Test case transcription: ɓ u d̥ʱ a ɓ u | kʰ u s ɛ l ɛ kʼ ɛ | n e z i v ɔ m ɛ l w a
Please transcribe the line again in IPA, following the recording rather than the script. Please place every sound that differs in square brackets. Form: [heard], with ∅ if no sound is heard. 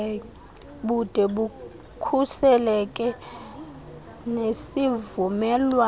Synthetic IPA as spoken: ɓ u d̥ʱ [ɛ] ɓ u | kʰ u s ɛ l ɛ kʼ ɛ | n e [s] i v [u] m ɛ l w a